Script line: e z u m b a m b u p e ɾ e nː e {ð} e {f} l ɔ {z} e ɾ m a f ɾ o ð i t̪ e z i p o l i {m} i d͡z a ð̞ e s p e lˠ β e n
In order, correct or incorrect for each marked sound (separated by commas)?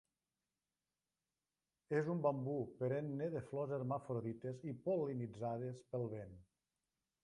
correct, correct, correct, incorrect